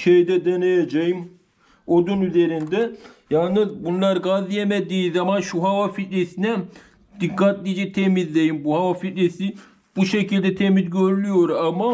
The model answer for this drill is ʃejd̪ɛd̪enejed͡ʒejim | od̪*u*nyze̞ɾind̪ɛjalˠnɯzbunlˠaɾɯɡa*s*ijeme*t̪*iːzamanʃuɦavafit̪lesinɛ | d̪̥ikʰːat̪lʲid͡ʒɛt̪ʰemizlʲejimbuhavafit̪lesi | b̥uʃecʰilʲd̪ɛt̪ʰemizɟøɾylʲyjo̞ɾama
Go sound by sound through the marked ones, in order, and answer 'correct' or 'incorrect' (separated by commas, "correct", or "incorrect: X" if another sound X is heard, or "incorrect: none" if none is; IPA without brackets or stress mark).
correct, incorrect: z, incorrect: d̪